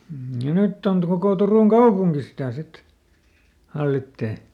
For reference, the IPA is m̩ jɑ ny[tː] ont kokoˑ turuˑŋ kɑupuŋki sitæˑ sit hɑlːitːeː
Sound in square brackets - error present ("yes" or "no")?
no